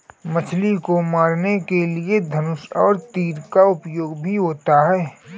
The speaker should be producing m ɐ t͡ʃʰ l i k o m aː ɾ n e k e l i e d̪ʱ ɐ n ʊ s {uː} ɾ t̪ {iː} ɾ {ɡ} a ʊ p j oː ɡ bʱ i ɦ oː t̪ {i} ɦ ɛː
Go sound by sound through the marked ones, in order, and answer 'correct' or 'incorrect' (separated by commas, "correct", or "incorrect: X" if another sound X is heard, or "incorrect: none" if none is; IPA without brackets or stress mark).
incorrect: ɔː, correct, incorrect: k, incorrect: a